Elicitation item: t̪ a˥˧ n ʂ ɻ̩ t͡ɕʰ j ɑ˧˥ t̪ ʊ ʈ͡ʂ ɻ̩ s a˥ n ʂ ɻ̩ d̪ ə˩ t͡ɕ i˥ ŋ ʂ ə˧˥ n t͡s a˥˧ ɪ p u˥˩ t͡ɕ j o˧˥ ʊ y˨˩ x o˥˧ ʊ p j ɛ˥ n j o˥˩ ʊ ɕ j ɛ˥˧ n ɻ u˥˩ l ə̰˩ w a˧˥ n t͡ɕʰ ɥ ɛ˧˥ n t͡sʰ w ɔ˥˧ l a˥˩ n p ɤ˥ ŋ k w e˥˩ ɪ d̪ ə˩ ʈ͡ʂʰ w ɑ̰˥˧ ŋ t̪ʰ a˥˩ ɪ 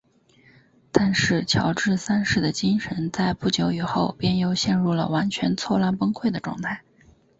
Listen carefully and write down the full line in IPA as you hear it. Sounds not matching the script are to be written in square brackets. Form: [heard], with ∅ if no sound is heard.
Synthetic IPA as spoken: t̪ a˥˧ n ʂ ɻ̩ t͡ɕʰ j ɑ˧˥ [∅] ʊ ʈ͡ʂ ɻ̩ s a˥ n ʂ ɻ̩ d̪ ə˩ t͡ɕ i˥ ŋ ʂ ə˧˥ n t͡s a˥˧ ɪ p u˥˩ t͡ɕ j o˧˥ ʊ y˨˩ x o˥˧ ʊ p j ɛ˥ n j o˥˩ ʊ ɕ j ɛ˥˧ n ɻ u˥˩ l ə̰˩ w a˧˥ n t͡ɕʰ ɥ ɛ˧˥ n t͡sʰ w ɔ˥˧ l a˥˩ n p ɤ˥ ŋ [kʰ] w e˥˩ ɪ d̪ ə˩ [ʈ͡ʂ] w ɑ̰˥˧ ŋ t̪ʰ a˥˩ ɪ